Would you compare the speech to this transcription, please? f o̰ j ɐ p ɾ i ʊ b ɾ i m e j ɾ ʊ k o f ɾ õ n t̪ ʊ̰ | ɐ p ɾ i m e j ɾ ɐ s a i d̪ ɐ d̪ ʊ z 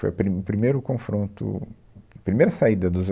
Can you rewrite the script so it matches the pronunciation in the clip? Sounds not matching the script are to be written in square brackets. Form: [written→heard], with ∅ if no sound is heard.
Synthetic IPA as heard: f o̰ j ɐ p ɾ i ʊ [b→p] ɾ i m e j ɾ ʊ k [o→õ] f ɾ õ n t̪ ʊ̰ | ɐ p ɾ i m e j ɾ ɐ s a i d̪ ɐ d̪ ʊ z

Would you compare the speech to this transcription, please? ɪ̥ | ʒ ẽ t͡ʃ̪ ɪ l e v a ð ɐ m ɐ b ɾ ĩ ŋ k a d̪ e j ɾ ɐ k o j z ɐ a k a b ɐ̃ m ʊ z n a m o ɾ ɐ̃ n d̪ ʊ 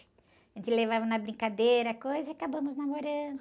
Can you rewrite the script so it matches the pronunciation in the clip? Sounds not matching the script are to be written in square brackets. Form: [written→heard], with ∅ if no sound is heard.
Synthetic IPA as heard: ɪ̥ | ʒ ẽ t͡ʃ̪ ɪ l e v a [ð→v] ɐ [m→n] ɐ b ɾ ĩ ŋ k a d̪ e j ɾ ɐ k o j z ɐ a k a b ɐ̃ m ʊ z n a m o ɾ ɐ̃ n d̪ ʊ

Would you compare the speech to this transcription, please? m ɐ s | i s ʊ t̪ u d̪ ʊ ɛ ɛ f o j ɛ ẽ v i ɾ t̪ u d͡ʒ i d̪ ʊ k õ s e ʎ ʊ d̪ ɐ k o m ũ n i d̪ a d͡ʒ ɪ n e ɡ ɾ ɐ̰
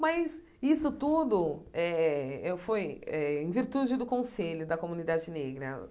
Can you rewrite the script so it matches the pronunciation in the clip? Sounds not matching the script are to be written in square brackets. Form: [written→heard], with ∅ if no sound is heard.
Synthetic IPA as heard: m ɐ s | i s ʊ t̪ u d̪ ʊ ɛ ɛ f o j ɛ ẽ v i ɾ t̪ u d͡ʒ [i→ɪ] d̪ ʊ k õ s e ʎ ʊ d̪ ɐ k o m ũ n i d̪ a d͡ʒ ɪ n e ɡ ɾ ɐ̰

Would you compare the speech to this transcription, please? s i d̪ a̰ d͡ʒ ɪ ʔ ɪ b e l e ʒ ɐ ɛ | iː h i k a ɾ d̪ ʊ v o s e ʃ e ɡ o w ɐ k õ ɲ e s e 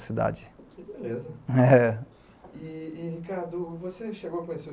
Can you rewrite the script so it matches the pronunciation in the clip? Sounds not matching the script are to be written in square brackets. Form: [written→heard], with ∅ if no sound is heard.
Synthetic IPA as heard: s i d̪ a̰ d͡ʒ ɪ [ʔ→k] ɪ b e l e [ʒ→z] ɐ ɛ | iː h i k a ɾ d̪ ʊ v o s e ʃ e ɡ o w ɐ k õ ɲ e s e

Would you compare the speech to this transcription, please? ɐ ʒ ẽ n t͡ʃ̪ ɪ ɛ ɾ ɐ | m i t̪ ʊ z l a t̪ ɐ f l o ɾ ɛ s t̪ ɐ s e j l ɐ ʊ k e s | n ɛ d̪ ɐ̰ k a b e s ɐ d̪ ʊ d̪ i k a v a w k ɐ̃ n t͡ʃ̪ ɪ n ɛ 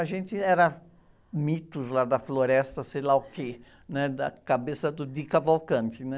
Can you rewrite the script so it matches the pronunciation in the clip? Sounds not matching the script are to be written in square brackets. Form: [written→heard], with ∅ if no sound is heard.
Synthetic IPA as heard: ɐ ʒ ẽ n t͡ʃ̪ ɪ ɛ ɾ ɐ | m i t̪ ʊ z l a [t̪→d̪] ɐ f l o ɾ ɛ s t̪ ɐ s e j l [ɐ→a] ʊ k e [s→∅] | n ɛ d̪ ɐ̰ k a b e s ɐ d̪ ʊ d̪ i k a v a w k ɐ̃ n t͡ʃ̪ ɪ n ɛ

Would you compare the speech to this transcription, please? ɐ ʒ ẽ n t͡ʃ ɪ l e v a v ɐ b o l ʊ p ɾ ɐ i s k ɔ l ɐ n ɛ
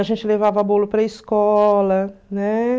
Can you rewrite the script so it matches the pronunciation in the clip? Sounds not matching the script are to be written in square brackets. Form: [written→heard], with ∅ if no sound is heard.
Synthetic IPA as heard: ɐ ʒ ẽ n t͡ʃ ɪ l e v a v ɐ b o l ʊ p ɾ ɐ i s k ɔ l ɐ n ɛ

